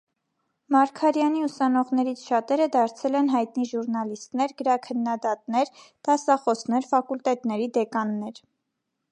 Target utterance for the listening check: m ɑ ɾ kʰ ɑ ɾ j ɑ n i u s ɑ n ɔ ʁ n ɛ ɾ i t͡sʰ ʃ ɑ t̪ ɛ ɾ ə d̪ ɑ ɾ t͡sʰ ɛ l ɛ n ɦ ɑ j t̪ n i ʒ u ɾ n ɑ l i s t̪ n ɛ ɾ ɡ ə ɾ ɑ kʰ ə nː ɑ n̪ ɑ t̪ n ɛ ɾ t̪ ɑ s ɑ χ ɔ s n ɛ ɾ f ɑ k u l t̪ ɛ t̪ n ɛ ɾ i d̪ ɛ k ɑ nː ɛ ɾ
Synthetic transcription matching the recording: m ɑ ɾ kʰ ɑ ɾ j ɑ n i u s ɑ n ɔ ʁ n ɛ ɾ i t͡sʰ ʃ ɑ t̪ ɛ ɾ ə d̪ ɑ ɾ t͡sʰ ɛ l ɛ n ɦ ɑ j t̪ n i ʒ u ɾ n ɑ l i s t̪ n ɛ ɾ ɡ ə ɾ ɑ kʰ ə nː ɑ d̪ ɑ t̪ n ɛ ɾ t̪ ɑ s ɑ χ ɔ s n ɛ ɾ f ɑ k u l t̪ ɛ t̪ n ɛ ɾ i d̪ ɛ k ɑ nː ɛ ɾ